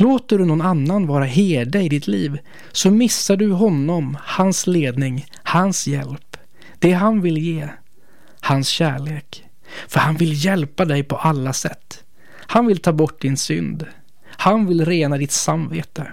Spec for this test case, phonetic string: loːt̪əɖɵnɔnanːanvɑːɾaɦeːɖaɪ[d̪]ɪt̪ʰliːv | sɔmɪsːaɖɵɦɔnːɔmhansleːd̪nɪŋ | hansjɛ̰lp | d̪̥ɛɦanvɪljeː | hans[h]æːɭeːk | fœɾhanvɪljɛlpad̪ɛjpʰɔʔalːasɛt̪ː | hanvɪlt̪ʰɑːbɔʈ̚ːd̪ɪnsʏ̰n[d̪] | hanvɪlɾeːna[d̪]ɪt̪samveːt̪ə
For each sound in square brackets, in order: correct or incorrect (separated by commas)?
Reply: correct, incorrect, correct, correct